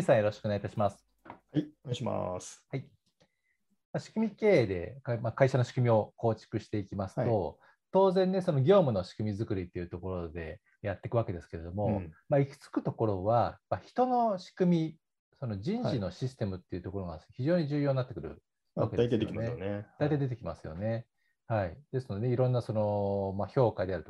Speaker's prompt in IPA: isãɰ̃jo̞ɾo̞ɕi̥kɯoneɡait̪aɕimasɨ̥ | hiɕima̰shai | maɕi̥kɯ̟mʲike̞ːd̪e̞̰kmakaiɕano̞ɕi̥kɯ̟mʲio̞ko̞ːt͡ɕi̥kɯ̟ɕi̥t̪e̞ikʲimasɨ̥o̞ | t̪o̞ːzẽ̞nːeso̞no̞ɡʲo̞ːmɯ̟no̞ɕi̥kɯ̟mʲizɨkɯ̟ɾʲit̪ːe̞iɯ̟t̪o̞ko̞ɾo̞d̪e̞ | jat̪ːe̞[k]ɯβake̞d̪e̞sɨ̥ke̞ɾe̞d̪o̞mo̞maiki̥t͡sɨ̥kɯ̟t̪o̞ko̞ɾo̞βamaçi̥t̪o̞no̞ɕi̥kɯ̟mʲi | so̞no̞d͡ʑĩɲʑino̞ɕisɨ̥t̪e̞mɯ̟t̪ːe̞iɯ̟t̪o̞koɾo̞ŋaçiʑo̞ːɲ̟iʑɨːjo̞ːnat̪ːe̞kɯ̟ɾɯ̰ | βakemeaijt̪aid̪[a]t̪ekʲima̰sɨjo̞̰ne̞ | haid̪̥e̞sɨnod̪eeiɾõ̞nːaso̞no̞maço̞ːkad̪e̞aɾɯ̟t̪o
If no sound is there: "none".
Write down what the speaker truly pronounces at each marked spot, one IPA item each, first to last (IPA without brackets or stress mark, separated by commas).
k, e